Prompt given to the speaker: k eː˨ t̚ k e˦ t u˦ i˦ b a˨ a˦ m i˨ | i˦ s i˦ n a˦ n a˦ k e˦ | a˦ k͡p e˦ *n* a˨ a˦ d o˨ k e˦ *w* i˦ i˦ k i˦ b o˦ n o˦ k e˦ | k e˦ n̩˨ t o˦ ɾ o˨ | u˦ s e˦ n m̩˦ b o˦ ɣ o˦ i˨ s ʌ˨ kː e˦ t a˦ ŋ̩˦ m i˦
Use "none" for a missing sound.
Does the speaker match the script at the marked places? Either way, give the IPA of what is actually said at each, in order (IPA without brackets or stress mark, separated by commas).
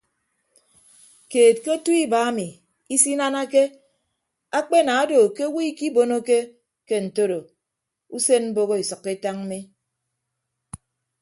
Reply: n, w